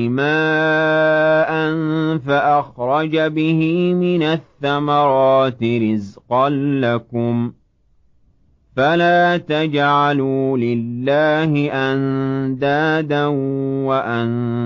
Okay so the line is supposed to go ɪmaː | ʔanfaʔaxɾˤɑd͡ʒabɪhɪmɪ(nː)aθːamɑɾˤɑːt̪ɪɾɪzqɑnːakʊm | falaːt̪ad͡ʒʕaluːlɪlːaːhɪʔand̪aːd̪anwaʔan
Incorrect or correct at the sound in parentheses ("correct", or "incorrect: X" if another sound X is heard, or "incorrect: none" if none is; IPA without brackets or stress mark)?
incorrect: n